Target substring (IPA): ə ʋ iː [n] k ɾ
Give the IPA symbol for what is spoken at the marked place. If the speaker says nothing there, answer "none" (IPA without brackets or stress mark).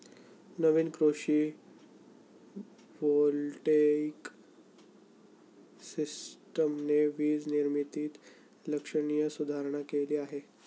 n